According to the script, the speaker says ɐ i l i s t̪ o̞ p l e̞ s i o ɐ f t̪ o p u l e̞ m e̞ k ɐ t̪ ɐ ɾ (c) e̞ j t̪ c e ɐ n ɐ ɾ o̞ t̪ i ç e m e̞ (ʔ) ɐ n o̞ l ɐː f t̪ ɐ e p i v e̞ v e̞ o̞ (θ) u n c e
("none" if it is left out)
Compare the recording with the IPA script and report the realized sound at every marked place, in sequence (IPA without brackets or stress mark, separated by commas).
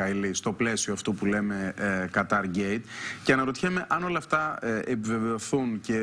ɟ, ʔ, θ